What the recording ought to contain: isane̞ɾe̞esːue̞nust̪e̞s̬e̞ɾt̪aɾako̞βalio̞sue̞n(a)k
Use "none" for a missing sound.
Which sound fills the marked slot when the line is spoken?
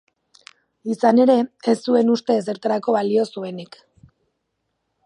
i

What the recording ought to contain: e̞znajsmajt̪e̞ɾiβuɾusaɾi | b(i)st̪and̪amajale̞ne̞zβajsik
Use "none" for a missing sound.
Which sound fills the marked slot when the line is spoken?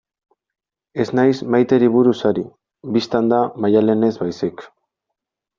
i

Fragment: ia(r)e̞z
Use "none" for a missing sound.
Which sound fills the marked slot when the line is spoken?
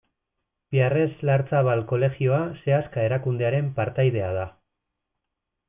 r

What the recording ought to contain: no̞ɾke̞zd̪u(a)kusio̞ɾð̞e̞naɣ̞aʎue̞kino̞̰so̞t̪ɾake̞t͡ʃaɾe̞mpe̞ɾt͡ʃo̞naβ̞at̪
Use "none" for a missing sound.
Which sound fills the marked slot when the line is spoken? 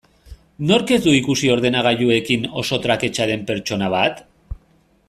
i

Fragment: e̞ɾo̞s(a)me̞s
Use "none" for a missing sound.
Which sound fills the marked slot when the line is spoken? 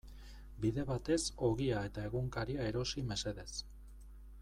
i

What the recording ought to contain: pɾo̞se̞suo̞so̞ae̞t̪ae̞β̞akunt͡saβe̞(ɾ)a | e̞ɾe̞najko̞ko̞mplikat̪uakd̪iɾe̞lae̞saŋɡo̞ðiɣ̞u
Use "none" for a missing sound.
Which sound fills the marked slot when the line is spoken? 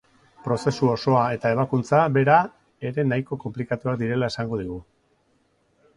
ɾ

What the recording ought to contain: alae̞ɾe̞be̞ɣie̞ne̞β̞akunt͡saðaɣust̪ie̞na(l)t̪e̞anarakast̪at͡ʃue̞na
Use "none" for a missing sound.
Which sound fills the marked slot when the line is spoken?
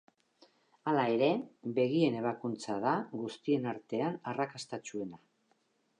ɾ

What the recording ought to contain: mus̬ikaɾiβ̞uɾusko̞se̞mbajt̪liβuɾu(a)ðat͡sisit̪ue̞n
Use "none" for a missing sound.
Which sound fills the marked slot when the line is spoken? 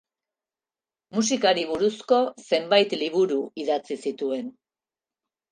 i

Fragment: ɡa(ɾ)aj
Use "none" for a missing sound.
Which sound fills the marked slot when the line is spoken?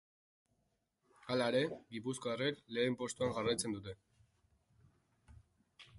r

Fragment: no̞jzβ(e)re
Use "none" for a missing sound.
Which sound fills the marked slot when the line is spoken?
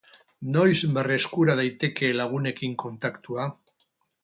e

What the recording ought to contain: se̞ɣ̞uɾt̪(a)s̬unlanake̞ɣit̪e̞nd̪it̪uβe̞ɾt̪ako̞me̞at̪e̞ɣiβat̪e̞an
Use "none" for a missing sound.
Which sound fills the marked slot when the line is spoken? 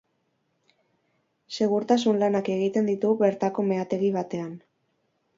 a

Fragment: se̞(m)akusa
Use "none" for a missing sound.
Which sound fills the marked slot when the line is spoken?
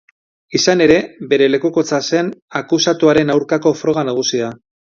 n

